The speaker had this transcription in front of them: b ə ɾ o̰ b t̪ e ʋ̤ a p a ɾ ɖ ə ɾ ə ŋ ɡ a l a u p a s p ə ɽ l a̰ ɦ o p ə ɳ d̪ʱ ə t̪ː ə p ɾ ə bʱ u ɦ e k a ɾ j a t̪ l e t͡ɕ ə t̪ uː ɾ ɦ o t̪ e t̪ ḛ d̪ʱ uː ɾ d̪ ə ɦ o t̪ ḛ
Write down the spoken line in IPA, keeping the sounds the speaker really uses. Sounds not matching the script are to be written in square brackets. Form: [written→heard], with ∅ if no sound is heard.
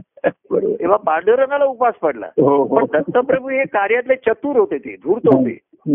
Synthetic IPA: b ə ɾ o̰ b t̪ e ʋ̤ a p a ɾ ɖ ə ɾ ə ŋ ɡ a l a u p a s p ə ɽ l a̰ ɦ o p ə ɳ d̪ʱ ə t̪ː ə p ɾ ə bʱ u ɦ e k a ɾ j a t̪ l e t͡ɕ ə t̪ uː ɾ ɦ o t̪ e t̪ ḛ d̪ʱ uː ɾ [d̪→t̪] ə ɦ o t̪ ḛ